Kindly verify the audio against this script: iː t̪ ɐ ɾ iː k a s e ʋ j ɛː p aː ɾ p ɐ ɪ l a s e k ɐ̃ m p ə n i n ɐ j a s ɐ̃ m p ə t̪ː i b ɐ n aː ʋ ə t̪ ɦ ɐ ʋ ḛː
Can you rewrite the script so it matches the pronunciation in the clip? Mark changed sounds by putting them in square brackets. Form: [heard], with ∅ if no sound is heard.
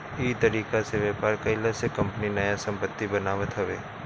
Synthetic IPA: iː t̪ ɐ ɾ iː k a s e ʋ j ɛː p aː ɾ [k] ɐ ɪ l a s e k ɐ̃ m p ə n i n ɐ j a s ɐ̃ m p ə t̪ː i b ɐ n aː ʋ ə t̪ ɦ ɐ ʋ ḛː